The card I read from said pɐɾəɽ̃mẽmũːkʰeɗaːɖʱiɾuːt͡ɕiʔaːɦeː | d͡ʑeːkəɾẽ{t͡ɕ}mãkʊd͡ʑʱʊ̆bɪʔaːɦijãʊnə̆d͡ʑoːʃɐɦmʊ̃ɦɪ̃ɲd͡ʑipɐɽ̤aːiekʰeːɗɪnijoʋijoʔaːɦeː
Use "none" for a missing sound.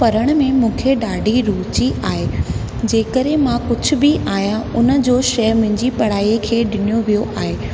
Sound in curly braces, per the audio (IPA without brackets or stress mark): none